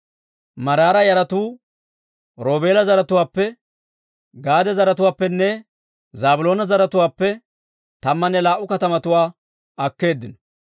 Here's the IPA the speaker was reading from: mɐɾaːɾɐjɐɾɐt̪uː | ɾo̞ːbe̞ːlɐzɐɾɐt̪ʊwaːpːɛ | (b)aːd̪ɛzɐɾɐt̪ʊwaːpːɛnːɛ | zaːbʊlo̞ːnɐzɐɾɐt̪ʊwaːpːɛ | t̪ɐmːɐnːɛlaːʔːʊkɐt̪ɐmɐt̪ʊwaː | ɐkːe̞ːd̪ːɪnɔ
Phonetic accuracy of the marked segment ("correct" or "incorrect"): incorrect